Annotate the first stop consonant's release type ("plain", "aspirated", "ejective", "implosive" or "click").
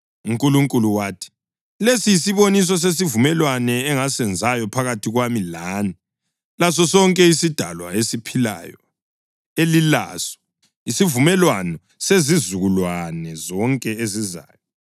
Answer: ejective